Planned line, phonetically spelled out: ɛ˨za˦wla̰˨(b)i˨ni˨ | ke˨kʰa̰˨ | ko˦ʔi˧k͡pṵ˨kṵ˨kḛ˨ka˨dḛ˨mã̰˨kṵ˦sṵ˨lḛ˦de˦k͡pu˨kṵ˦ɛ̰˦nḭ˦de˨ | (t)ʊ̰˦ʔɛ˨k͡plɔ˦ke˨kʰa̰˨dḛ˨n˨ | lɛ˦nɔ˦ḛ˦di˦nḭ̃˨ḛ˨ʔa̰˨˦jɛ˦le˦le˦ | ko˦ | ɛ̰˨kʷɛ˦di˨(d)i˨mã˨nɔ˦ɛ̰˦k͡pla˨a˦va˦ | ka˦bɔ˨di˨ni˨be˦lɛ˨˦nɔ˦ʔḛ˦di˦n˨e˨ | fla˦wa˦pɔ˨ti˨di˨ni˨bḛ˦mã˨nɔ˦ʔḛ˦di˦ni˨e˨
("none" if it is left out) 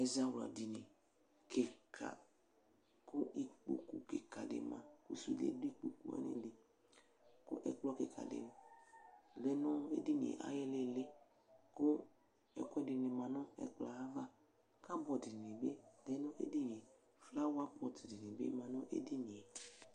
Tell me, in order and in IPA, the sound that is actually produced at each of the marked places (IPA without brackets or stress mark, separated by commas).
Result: d, k, n